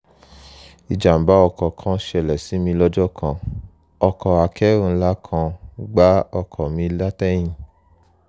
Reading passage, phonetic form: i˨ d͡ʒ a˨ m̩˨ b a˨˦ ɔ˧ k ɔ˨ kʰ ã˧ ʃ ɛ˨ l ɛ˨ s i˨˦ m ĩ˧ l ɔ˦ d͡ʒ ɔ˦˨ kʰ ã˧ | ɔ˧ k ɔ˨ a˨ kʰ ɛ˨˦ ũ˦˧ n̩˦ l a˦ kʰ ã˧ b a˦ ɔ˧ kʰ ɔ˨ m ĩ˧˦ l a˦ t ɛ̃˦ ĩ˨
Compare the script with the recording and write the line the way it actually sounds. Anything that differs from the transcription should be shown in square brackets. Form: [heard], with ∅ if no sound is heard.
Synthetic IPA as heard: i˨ d͡ʒ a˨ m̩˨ b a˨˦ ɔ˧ k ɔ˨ kʰ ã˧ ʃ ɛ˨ l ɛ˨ s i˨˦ m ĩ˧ l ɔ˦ d͡ʒ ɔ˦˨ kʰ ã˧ | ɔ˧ k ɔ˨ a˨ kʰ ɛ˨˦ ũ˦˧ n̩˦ l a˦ kʰ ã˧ [ɡ͡b] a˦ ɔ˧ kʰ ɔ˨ m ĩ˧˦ l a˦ t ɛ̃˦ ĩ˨